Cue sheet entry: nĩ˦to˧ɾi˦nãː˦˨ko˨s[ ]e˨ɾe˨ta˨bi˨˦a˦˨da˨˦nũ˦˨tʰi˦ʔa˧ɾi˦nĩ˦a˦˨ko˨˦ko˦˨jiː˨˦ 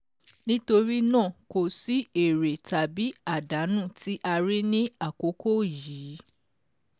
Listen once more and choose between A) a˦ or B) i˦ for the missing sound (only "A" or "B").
B